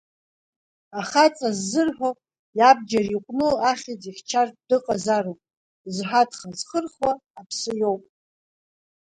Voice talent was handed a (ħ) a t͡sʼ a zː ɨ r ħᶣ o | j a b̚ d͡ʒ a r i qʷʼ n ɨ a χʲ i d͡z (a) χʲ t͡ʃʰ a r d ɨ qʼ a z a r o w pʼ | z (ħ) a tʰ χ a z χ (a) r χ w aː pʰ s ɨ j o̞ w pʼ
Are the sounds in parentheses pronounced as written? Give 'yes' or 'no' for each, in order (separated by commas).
no, no, yes, no